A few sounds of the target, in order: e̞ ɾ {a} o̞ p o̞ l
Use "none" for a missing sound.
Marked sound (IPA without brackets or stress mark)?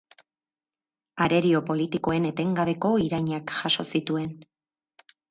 i